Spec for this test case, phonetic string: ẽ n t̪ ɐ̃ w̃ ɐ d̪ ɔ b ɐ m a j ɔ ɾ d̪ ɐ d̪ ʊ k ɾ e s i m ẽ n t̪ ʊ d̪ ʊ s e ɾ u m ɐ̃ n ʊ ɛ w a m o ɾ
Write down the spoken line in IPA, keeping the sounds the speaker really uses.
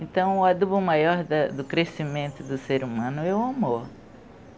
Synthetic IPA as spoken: ẽ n t̪ ɐ̃ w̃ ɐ d̪ u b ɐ m a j ɔ ɾ d̪ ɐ d̪ ʊ k ɾ e s i m ẽ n t̪ ʊ d̪ ʊ s e ɾ u m ɐ̃ n ʊ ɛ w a m o ɾ